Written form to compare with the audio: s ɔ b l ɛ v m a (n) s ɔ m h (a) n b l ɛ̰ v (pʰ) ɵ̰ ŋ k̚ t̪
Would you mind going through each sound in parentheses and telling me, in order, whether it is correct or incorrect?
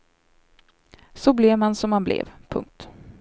correct, correct, correct

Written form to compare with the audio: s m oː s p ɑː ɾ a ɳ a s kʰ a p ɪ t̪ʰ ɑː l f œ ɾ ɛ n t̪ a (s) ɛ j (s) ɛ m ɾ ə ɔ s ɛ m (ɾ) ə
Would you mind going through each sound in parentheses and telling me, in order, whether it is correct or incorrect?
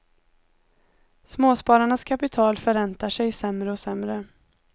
incorrect, correct, correct

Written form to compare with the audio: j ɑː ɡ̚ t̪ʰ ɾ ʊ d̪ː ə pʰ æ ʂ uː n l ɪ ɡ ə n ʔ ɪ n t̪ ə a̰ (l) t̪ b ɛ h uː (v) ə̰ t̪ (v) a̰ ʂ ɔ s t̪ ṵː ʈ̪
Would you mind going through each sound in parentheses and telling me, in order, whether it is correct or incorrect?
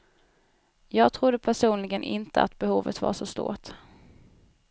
incorrect, correct, correct

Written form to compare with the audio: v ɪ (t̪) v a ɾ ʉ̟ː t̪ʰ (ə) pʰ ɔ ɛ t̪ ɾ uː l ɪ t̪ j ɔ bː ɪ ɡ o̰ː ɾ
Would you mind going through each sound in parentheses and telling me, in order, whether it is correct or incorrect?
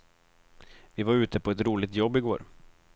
incorrect, correct

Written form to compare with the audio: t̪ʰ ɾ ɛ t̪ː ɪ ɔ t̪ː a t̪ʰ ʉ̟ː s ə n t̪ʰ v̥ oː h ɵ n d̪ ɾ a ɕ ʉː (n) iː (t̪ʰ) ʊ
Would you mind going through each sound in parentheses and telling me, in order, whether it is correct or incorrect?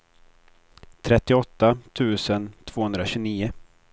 correct, incorrect

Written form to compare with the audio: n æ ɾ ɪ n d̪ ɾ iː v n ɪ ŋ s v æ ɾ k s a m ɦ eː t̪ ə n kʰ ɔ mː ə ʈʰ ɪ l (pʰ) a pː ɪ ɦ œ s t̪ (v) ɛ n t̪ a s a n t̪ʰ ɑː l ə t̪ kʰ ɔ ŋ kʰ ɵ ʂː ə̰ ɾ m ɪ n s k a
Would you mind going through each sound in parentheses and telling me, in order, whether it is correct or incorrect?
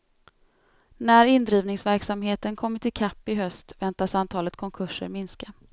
incorrect, correct

